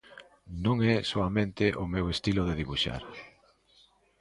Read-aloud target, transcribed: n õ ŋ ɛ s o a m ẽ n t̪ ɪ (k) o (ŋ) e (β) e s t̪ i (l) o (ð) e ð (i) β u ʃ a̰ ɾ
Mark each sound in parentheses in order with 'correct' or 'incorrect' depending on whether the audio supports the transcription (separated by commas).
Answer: incorrect, incorrect, incorrect, correct, correct, correct